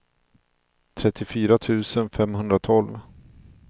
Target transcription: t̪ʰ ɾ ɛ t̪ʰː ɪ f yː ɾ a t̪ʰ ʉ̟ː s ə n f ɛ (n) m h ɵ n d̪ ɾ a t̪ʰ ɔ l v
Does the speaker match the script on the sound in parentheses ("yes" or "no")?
no